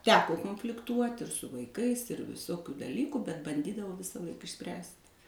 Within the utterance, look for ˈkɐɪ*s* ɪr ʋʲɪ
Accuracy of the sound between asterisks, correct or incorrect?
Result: correct